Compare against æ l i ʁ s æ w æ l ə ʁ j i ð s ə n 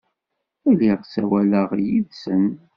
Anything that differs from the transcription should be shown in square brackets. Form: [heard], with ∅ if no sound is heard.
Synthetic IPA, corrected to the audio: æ l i ʁ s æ w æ l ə ʁ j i ð s ə n